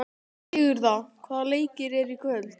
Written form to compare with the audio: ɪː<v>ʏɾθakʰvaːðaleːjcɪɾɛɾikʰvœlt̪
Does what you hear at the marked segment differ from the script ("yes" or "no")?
yes